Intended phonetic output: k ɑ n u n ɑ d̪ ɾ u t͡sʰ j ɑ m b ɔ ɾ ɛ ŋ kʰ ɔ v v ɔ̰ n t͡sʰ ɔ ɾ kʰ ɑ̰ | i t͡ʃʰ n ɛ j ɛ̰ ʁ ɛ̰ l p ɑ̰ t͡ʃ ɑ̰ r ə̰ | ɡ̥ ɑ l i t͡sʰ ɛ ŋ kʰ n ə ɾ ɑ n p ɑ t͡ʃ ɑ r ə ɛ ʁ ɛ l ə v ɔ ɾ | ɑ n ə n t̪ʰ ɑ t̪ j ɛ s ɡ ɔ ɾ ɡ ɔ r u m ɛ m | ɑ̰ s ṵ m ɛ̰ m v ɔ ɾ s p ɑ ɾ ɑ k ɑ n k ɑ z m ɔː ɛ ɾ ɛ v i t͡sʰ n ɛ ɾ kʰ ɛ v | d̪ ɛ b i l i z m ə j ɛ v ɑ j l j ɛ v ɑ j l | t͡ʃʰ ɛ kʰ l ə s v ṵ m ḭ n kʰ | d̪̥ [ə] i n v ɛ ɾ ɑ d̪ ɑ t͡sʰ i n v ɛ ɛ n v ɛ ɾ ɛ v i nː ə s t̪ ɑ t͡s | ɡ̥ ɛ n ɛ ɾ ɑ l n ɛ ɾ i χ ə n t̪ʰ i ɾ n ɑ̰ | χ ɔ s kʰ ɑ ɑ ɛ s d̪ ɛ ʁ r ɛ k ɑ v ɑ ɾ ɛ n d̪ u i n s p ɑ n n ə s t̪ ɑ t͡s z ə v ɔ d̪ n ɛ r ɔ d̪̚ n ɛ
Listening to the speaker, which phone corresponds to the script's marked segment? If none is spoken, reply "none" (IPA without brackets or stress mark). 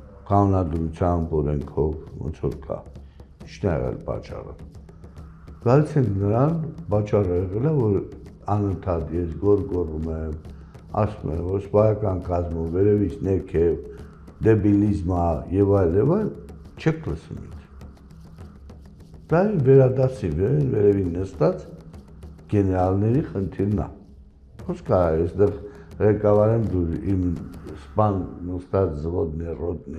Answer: ɑ